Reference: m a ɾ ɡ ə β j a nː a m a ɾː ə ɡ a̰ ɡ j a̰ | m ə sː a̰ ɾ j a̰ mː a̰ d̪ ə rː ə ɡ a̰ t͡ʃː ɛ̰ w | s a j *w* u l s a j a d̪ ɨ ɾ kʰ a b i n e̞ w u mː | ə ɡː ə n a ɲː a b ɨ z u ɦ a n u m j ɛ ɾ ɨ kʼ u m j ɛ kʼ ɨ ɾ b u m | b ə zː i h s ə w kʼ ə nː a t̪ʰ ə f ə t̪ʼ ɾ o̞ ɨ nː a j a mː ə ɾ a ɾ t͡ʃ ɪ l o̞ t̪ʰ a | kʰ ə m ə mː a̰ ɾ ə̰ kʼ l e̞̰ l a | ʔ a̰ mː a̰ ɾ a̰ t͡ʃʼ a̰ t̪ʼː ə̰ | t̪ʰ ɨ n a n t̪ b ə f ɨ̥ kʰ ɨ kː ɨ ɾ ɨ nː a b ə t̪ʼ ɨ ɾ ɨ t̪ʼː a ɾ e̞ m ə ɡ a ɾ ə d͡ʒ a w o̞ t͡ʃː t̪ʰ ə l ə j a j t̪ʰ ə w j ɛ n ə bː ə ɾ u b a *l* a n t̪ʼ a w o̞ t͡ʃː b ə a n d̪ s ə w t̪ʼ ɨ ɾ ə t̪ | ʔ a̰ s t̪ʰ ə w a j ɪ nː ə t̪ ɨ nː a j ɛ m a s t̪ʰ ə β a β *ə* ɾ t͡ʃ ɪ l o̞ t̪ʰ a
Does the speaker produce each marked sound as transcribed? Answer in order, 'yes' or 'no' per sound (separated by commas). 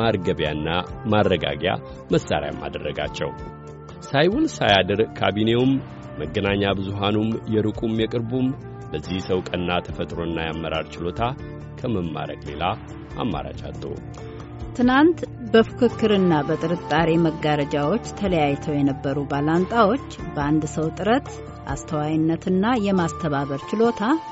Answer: yes, yes, yes